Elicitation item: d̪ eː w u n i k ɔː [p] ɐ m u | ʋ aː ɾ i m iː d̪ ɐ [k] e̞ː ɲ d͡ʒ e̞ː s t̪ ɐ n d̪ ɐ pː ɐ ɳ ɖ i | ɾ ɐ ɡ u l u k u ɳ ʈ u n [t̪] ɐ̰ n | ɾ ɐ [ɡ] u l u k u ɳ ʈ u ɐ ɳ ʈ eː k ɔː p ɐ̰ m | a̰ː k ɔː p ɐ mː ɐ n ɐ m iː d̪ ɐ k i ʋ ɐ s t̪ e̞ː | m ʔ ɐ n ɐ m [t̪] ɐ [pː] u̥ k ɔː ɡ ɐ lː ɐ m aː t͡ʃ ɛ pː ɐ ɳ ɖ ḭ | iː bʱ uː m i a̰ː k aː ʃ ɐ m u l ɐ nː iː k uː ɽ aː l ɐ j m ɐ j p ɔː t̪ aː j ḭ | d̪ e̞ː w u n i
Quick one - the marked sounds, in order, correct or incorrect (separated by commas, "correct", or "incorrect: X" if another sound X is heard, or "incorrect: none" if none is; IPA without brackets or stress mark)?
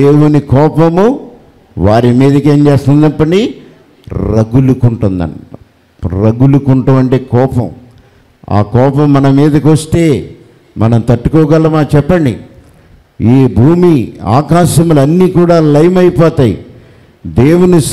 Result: correct, correct, incorrect: d̪, correct, correct, incorrect: ʈː